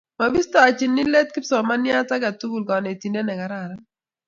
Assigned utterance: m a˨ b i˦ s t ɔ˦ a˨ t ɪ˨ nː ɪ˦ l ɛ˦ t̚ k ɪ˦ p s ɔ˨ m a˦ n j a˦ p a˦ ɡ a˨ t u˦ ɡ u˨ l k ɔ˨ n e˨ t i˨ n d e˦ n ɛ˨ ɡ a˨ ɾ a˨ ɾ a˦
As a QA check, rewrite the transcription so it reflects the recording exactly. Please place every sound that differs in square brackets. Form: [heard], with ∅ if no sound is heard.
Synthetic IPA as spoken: m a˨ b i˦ s t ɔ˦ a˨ [t͡ʃ] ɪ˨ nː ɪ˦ l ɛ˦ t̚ k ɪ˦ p s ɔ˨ m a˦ n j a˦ [t] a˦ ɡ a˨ t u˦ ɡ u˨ l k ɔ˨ n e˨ t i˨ n d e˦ n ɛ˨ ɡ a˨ ɾ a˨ ɾ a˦